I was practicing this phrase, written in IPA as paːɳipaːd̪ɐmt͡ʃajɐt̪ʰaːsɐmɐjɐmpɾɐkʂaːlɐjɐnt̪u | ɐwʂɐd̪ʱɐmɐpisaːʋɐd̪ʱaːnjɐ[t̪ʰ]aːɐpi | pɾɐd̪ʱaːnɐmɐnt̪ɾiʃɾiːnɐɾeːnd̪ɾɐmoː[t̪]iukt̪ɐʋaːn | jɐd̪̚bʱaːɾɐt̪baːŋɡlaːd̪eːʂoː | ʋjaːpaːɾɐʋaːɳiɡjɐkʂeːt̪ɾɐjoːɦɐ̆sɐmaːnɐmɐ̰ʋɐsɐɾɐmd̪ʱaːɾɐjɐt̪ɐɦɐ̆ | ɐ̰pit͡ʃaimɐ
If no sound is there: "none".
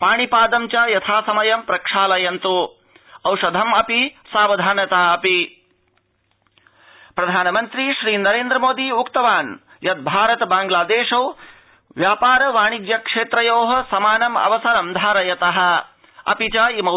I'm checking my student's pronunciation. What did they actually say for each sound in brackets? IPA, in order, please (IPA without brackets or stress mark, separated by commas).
t̪, d̪